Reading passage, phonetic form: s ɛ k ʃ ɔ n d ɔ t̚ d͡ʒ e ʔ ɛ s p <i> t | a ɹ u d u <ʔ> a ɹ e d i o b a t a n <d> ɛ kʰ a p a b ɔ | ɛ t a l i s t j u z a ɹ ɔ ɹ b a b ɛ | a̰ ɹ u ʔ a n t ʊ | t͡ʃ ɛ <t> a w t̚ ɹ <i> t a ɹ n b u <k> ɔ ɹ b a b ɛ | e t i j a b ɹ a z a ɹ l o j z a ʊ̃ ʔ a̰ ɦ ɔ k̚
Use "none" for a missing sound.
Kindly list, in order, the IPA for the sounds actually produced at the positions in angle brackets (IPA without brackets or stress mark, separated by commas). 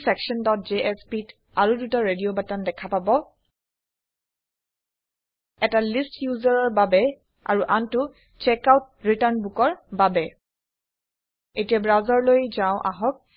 i, t, d, k, i, k